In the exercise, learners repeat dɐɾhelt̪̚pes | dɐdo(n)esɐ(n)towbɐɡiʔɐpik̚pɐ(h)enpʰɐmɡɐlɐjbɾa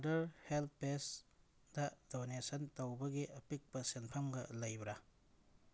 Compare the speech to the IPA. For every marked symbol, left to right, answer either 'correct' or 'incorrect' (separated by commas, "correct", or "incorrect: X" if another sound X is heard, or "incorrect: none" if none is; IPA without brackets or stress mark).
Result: correct, correct, incorrect: s